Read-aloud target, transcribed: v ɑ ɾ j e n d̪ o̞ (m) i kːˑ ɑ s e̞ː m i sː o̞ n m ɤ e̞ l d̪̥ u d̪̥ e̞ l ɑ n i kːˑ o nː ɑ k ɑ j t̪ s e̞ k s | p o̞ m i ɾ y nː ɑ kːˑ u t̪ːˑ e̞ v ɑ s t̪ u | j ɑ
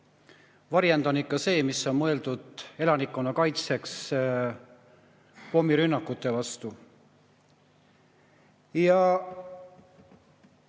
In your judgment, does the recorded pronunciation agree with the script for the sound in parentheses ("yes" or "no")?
no